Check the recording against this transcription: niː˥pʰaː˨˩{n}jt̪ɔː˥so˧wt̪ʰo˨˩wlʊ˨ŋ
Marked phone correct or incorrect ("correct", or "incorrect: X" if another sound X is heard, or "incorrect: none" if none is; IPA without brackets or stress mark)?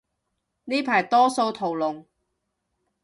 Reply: incorrect: none